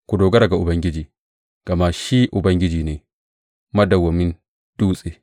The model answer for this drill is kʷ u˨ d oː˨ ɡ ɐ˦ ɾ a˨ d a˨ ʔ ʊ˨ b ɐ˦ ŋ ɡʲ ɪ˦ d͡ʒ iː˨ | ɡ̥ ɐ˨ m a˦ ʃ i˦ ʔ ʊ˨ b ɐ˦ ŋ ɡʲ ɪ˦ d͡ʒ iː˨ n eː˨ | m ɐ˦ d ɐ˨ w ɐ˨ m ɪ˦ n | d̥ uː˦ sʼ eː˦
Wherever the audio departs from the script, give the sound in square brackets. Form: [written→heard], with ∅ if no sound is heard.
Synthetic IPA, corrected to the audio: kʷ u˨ d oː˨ ɡ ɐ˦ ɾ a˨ [d→ɡ] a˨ ʔ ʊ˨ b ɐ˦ ŋ ɡʲ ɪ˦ d͡ʒ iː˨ | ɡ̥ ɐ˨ m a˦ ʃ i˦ ʔ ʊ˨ b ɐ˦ ŋ ɡʲ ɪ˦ d͡ʒ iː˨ n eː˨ | m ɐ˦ d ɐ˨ w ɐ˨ m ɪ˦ n | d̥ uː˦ sʼ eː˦